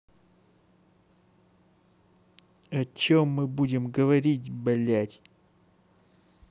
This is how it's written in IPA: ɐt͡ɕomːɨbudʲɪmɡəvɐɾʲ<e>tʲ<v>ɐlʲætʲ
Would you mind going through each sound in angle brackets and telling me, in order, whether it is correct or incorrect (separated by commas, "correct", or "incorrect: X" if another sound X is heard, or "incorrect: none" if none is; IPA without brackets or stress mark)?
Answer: incorrect: i, incorrect: b